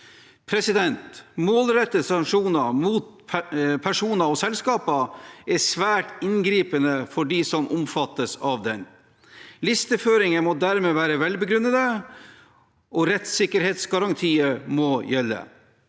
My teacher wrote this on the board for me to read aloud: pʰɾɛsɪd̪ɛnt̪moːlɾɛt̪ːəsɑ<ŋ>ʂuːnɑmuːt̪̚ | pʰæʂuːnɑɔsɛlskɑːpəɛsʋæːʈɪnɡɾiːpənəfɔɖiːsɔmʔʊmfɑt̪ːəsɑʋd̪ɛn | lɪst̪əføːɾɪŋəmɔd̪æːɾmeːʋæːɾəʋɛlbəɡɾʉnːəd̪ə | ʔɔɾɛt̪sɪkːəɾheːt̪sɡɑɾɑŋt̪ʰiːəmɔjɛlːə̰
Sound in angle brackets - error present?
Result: no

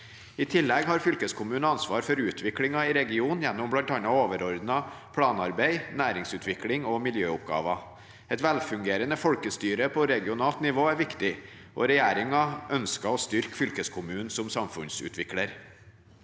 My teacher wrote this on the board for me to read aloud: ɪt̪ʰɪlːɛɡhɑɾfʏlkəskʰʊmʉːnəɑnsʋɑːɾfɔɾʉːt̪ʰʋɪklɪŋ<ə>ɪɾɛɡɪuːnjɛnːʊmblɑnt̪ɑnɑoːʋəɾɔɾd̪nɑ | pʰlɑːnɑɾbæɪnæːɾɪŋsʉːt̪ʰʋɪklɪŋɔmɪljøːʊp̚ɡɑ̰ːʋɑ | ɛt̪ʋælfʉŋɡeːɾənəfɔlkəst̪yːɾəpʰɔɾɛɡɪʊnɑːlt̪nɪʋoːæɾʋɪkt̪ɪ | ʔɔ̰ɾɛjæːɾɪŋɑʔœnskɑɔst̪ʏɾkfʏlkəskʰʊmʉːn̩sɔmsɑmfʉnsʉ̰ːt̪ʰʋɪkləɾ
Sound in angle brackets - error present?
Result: yes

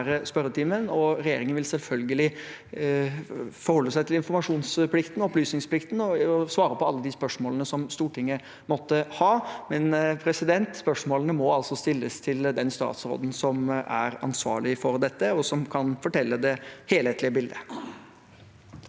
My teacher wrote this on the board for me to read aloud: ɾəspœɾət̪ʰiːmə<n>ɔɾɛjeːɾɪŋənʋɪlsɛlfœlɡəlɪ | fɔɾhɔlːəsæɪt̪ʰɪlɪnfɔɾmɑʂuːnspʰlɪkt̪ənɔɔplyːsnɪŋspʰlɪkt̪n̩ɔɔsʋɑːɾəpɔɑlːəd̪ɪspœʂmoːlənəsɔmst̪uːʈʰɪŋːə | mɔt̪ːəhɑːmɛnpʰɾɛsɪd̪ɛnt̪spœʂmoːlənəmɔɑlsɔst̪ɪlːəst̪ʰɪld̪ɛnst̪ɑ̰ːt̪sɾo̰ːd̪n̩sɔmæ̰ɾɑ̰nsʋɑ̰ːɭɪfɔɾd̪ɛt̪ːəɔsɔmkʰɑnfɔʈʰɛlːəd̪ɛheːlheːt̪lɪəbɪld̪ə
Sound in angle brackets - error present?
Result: no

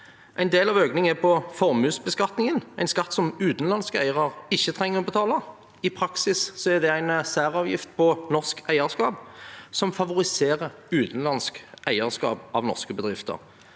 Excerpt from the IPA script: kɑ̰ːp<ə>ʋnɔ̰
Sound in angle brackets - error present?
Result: yes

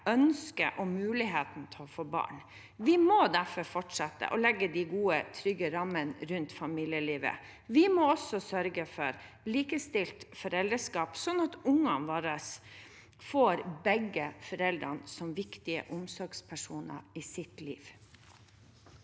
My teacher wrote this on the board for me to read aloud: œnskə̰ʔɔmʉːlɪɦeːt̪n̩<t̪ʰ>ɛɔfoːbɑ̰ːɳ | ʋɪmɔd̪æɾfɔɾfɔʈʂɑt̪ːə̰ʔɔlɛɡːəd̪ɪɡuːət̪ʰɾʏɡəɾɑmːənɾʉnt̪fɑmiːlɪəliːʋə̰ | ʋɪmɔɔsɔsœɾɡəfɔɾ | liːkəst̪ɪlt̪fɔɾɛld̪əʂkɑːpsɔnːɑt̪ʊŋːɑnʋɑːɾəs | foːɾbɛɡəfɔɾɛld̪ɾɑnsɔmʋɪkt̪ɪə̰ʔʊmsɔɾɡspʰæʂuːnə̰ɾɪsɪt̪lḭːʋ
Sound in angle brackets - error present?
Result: no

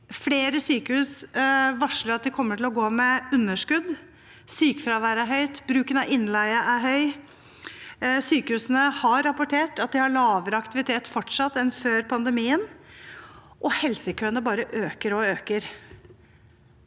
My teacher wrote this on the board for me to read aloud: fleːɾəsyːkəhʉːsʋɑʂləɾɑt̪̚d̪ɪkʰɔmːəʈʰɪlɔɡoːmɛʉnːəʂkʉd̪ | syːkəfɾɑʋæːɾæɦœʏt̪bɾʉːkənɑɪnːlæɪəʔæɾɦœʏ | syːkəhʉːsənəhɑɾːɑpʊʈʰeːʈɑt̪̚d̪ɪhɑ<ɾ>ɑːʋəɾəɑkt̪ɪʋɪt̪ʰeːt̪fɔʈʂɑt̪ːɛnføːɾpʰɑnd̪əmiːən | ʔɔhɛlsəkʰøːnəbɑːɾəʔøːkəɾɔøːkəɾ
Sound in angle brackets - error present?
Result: yes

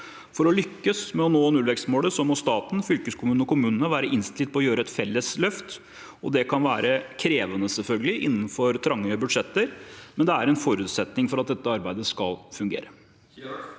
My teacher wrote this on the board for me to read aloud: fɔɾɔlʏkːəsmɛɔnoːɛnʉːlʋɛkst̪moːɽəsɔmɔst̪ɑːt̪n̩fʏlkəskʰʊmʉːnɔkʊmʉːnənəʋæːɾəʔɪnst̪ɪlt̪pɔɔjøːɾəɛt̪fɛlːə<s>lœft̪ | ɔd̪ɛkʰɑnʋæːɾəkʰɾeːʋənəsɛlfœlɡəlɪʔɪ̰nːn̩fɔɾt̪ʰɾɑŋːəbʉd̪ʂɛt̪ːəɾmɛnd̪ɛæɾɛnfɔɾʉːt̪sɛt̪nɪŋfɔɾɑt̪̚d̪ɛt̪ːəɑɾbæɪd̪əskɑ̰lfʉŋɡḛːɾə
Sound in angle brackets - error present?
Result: no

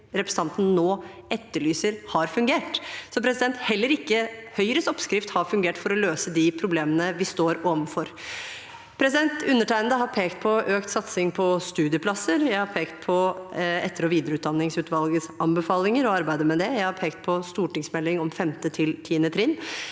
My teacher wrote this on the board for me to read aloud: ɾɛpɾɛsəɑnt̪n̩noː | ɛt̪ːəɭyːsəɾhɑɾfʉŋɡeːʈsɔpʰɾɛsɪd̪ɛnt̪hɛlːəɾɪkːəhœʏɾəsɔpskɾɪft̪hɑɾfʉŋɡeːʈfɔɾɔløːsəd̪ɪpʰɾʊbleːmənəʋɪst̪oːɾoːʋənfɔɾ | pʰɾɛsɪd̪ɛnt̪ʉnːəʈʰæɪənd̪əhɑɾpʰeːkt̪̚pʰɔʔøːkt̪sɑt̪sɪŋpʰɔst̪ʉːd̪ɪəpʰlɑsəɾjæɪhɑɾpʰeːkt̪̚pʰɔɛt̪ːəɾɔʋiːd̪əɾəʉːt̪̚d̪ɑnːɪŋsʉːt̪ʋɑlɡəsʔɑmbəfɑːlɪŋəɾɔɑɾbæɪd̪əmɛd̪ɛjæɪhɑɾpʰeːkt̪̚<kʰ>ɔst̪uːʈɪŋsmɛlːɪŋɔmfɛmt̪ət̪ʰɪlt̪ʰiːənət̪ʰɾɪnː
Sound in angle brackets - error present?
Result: yes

